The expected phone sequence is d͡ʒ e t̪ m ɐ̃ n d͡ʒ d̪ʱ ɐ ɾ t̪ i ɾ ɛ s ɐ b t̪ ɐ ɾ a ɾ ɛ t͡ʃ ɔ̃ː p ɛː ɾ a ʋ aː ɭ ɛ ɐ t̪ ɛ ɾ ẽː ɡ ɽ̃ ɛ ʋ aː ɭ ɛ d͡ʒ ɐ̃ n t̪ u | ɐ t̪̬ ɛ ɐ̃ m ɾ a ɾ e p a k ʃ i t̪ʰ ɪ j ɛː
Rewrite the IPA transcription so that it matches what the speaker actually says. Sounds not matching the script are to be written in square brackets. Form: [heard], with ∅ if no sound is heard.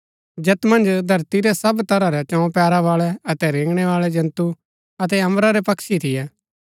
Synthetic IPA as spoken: d͡ʒ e t̪ m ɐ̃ n d͡ʒ d̪ʱ ɐ ɾ t̪ i ɾ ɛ s ɐ b t̪ ɐ ɾ a ɾ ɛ t͡ʃ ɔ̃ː p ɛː ɾ a ʋ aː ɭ ɛ ɐ t̪ ɛ ɾ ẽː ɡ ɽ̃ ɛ ʋ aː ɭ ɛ d͡ʒ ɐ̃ n t̪ u | ɐ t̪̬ ɛ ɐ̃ m ɾ a ɾ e p [ɐ] k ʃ i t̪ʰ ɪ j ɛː